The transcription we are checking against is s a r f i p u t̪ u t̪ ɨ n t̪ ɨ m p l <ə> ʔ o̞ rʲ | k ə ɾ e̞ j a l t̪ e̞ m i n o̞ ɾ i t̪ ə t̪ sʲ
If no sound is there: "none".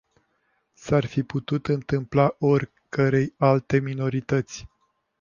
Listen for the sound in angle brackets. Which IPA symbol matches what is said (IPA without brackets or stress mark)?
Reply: a